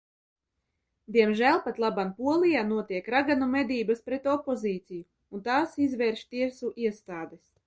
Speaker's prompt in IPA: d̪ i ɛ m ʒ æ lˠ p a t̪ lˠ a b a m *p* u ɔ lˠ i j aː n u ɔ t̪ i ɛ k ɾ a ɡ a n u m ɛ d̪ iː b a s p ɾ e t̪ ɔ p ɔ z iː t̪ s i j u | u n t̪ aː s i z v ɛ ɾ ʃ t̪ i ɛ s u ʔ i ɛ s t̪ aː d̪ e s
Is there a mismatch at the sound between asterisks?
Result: no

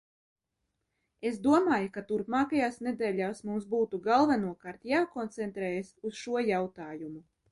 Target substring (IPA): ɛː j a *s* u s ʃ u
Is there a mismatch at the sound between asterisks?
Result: no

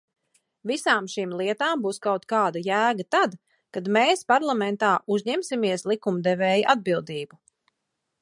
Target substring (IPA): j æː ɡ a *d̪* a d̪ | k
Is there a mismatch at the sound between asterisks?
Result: yes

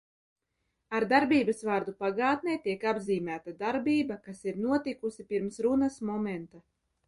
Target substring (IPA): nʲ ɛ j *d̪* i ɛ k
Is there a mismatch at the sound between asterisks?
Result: yes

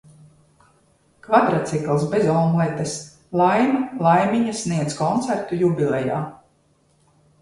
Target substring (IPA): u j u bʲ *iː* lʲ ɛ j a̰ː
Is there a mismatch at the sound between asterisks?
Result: yes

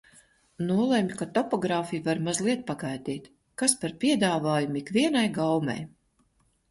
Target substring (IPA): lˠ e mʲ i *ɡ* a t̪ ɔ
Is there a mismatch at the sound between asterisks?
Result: yes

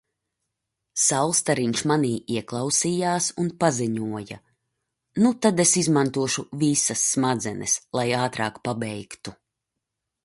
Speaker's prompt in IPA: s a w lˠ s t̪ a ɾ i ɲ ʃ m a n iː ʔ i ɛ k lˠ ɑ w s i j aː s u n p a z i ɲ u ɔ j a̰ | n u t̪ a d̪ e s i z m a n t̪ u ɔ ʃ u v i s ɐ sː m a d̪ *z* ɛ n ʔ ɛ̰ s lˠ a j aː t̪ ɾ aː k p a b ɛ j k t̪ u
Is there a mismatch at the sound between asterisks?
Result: no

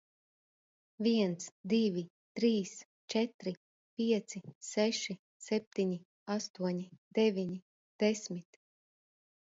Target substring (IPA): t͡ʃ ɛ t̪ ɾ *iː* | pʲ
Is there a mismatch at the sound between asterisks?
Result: yes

